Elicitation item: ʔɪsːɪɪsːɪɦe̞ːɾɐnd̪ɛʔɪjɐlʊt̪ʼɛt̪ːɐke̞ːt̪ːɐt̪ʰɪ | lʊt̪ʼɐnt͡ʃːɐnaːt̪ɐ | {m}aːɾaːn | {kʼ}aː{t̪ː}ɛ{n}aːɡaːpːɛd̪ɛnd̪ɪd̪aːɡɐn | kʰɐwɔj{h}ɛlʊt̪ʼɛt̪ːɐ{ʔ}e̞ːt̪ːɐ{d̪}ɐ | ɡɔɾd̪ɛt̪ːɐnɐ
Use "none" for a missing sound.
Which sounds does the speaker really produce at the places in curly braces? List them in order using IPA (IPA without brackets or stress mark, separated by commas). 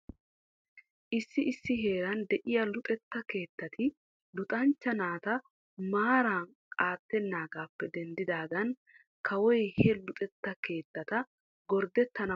m, kʼ, t̪ː, nː, h, k, t̪